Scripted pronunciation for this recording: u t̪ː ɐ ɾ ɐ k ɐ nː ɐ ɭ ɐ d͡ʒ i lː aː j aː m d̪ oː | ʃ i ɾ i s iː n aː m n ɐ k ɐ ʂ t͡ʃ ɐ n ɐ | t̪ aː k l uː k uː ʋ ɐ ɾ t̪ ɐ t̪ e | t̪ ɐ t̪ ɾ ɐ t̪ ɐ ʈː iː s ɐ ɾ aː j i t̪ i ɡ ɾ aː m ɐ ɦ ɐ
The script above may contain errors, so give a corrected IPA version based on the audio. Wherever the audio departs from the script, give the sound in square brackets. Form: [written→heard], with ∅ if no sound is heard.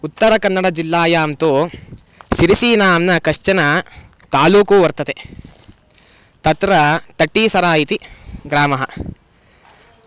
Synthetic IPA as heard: u t̪ː ɐ ɾ ɐ k ɐ nː ɐ [ɭ→ɽ] ɐ d͡ʒ i lː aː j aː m [d̪→t̪] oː | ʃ i ɾ i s iː n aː m n ɐ k ɐ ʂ t͡ʃ ɐ n ɐ | t̪ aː [k→∅] l uː k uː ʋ ɐ ɾ t̪ ɐ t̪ e | t̪ ɐ t̪ ɾ ɐ t̪ ɐ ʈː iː s ɐ ɾ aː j i t̪ i ɡ ɾ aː m ɐ ɦ ɐ

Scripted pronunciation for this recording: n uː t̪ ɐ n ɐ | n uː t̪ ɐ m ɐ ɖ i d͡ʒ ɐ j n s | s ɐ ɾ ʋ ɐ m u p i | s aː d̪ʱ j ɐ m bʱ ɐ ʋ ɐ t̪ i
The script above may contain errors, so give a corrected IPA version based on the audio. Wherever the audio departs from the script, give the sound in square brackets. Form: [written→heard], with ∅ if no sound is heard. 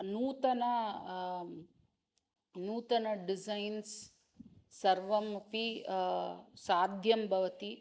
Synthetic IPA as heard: n uː t̪ ɐ n ɐ | n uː t̪ ɐ [m→n] ɐ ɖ i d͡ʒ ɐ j n s | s ɐ ɾ ʋ ɐ m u p i | s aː d̪ʱ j ɐ m bʱ ɐ ʋ ɐ t̪ i

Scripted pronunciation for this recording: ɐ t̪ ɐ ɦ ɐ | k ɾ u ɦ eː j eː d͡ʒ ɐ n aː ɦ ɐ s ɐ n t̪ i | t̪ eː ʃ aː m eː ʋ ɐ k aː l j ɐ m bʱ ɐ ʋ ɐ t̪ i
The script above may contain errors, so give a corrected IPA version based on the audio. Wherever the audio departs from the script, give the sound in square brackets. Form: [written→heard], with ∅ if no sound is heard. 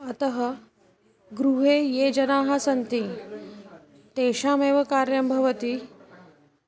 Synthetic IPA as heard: ɐ t̪ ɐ ɦ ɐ | [k→ɡ] ɾ u ɦ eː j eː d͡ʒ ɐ n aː ɦ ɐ s ɐ n t̪ i | t̪ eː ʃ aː m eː ʋ ɐ k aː [l→ɾ] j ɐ m bʱ ɐ ʋ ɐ t̪ i

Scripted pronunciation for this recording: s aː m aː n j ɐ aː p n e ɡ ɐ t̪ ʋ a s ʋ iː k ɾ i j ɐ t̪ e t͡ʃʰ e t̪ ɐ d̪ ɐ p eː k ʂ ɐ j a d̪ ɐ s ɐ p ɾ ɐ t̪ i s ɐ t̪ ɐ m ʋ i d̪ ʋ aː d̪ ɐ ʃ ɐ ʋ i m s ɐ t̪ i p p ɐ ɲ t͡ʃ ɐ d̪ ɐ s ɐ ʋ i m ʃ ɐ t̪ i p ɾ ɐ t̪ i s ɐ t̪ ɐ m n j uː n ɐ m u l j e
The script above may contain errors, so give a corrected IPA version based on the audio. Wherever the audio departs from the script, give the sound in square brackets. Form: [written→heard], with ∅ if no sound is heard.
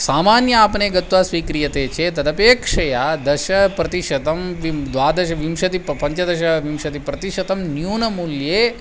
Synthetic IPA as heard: s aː m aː n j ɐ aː p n e ɡ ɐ t̪ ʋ a s ʋ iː k ɾ i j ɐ t̪ e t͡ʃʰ e t̪ ɐ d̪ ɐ p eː k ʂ ɐ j a d̪ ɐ [s→ʃ] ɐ p ɾ ɐ t̪ i [s→ʃ] ɐ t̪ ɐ m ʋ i d̪ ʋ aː d̪ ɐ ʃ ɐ ʋ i m [s→ʃ] ɐ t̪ i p p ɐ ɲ t͡ʃ ɐ d̪ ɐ [s→ʃ] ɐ ʋ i m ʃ ɐ t̪ i p ɾ ɐ t̪ i [s→ʃ] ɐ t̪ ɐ m n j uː n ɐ m u l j e

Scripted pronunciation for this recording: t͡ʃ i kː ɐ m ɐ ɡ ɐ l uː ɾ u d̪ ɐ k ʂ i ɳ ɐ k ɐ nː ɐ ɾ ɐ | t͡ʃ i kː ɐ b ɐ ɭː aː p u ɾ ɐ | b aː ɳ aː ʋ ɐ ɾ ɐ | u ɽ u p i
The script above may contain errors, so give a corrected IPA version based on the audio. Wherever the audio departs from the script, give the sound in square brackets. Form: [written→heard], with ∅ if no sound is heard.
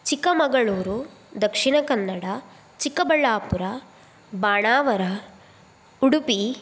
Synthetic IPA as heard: t͡ʃ i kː ɐ m ɐ ɡ ɐ [l→ɭ] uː ɾ u d̪ ɐ k ʂ i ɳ ɐ k ɐ nː ɐ [ɾ→ɽ] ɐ | t͡ʃ i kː ɐ b ɐ ɭː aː p u ɾ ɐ | b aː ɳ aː ʋ ɐ ɾ ɐ | u ɽ u p i

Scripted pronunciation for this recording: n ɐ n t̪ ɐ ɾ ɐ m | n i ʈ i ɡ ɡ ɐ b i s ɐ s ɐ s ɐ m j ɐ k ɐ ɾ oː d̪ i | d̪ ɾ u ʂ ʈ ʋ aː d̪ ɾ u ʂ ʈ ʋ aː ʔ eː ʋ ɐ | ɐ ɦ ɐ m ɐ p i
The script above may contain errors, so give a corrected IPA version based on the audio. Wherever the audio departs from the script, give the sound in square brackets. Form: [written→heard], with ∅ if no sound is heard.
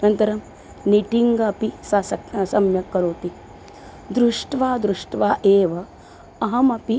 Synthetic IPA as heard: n ɐ n t̪ ɐ ɾ ɐ m | n i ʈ i [ɡ→ŋ] ɡ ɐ [b→p] i s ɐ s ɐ s ɐ m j ɐ k ɐ ɾ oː [d̪→t̪] i | d̪ ɾ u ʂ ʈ ʋ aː d̪ ɾ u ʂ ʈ ʋ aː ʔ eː ʋ ɐ | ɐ ɦ ɐ m ɐ p i

